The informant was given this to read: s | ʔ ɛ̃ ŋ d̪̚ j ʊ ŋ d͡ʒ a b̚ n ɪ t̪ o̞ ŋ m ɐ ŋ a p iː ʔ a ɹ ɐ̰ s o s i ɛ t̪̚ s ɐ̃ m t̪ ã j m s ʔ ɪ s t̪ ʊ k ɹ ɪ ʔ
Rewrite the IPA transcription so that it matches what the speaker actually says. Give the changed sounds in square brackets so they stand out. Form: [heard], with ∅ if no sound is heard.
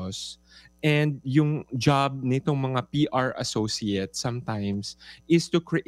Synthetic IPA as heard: s | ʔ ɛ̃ [n] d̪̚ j ʊ ŋ d͡ʒ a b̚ n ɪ t̪ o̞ ŋ m ɐ ŋ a p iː ʔ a ɹ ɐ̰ s o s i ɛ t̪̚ s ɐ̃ m t̪ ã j m s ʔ ɪ s t̪ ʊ k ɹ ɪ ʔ